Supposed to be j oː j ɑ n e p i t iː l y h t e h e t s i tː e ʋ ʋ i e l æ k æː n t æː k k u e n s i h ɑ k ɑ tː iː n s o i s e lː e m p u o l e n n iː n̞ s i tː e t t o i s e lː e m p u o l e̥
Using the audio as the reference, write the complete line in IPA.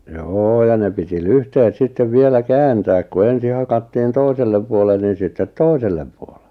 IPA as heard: j oː j ɑ n e p i t i l y h t e h e t s i tː e ʋ ʋ i e l æ k æː n t æː k k u e n s i h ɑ k ɑ tː iː n t o i s e lː e m p u o l e n n iː n̞ s i tː e t t o i s e lː e m p u o l e̥

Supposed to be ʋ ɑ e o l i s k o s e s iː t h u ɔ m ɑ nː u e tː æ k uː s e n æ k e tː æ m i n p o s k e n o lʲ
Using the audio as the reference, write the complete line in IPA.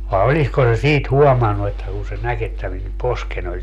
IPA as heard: ʋ ɑ e o l i s k o s e s iː t h u ɔ m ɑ nː u e tː æ k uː s e n æ k e tː æ m i n p o s k e n o lʲ

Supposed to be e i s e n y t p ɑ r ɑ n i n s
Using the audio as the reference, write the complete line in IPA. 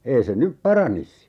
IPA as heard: e i s e n y p p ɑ r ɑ n i s

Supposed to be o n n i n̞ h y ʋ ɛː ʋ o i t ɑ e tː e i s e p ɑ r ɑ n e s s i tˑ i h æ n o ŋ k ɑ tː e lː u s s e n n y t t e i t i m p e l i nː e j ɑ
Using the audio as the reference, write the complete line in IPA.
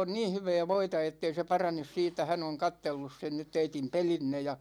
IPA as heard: o n n iː n̞ h y ʋ ɛː ʋ o i t ɑ e tː e i s e p ɑ r ɑ n e s s iː tˑ æ h æ n o ŋ k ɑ tː e lː u s s e n n y t t e i t i m p e l i nː e j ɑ

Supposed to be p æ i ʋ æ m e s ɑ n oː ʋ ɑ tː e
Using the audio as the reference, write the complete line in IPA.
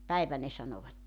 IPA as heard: p æ i ʋ æ n e s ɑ n o ʋ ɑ tː e

